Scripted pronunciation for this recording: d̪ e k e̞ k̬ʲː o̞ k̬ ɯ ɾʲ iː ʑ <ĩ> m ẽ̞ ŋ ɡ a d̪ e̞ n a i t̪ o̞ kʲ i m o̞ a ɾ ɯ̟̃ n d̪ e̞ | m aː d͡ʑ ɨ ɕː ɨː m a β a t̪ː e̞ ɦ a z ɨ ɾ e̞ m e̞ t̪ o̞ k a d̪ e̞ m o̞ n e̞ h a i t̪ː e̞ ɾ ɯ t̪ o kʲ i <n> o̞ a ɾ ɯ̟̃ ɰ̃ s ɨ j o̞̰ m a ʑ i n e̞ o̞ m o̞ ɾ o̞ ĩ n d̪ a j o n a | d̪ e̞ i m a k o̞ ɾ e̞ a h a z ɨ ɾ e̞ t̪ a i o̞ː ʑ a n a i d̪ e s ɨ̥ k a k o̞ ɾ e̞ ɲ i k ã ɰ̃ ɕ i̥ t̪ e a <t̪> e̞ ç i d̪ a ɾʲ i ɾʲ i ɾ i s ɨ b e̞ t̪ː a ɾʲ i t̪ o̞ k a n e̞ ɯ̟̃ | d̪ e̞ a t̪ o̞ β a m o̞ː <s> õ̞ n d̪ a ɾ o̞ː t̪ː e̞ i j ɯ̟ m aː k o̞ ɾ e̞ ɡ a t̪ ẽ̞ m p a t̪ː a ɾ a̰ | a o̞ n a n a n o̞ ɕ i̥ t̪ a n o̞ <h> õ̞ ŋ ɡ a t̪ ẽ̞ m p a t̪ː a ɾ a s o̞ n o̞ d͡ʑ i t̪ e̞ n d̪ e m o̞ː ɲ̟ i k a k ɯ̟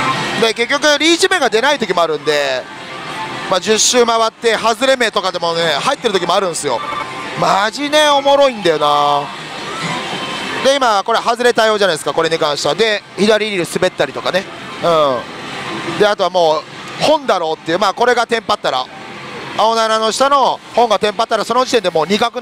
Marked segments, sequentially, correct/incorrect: incorrect: i, incorrect: m, incorrect: d̪, incorrect: h, correct

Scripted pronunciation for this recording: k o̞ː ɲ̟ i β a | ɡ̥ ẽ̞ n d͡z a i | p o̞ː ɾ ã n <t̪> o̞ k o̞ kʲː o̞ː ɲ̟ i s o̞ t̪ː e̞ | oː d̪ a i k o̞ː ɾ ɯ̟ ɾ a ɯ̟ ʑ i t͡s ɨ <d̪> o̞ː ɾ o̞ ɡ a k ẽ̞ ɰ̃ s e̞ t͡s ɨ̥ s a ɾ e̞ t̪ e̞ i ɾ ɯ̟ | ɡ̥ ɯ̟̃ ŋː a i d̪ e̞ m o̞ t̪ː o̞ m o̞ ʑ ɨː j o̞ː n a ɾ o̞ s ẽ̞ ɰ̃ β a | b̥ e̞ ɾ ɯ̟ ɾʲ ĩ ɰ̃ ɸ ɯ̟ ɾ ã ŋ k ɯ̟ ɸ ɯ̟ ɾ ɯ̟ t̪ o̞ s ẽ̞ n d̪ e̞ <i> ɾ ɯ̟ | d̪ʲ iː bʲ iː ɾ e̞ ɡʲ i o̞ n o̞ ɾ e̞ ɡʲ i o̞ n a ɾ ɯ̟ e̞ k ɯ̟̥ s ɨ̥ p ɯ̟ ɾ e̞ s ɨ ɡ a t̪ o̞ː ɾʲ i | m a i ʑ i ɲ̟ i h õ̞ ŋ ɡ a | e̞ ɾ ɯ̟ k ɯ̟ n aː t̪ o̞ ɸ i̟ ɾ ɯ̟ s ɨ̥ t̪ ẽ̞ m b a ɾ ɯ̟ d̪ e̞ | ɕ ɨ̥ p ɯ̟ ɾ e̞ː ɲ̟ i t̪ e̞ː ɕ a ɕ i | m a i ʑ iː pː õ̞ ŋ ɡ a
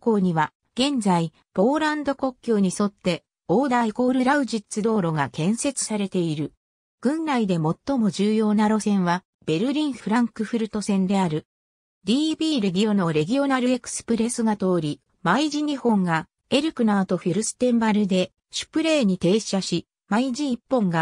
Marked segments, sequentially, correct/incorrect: incorrect: d̪, correct, incorrect: a

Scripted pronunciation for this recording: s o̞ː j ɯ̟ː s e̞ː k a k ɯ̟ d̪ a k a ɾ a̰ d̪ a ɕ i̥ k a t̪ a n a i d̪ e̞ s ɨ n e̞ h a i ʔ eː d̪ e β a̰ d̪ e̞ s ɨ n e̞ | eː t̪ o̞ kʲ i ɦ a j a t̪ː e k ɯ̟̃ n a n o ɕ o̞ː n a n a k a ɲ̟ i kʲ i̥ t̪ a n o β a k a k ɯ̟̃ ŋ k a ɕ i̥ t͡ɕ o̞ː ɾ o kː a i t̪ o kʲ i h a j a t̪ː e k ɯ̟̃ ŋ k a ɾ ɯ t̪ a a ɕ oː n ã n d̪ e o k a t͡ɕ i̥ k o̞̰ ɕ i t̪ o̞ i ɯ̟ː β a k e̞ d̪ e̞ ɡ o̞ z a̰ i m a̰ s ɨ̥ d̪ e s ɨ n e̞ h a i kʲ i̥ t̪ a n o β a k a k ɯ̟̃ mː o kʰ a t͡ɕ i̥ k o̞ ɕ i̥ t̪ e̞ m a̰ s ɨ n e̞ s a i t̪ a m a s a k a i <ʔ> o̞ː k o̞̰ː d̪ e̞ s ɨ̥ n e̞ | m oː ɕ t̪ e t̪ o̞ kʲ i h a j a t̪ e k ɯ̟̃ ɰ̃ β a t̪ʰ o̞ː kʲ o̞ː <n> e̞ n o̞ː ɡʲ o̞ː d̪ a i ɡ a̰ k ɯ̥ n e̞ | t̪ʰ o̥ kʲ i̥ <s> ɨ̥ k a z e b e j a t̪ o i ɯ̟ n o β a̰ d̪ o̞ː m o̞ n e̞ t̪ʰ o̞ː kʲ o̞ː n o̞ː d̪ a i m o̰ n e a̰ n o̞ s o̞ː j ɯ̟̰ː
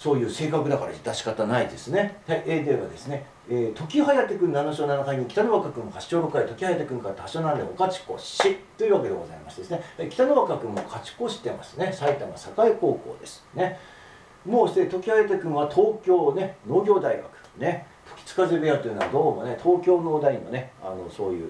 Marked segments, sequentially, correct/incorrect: incorrect: k, correct, incorrect: t͡s

